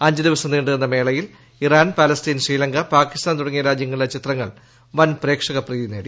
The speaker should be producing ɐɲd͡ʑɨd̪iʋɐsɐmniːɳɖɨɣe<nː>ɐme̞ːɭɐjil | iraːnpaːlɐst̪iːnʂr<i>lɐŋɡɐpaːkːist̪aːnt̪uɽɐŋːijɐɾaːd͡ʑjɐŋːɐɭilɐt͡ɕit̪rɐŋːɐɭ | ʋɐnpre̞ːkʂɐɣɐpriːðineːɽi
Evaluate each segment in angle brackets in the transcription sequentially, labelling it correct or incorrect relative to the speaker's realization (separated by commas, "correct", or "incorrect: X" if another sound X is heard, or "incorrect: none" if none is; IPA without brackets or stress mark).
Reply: correct, incorrect: iː